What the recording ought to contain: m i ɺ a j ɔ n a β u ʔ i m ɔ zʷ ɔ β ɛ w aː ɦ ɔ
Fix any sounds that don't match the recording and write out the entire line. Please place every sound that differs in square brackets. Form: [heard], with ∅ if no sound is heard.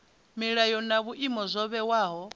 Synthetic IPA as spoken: m i ɺ a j ɔ n a β u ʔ i m ɔ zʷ ɔ β ɛ w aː ɦ ɔ